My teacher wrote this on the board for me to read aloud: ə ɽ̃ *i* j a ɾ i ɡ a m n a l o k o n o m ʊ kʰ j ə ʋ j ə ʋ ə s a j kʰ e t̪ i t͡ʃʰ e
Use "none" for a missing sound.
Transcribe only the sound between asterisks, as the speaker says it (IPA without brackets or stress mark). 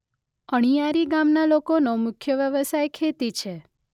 i